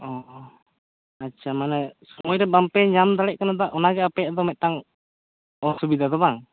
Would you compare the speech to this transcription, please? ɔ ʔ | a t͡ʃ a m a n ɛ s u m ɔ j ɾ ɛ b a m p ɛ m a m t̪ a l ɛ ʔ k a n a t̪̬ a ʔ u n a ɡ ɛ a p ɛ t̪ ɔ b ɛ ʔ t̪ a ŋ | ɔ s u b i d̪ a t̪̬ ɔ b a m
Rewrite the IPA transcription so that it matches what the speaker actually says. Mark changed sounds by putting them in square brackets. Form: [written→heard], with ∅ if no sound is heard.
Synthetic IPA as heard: ɔ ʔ | a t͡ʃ a m a n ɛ s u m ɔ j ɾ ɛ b a m p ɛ [m→ɲ] a m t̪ a l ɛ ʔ k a n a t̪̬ a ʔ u n a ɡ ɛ a p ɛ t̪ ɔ [b→m] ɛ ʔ t̪ a ŋ | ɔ s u b i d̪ a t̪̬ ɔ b a [m→ŋ]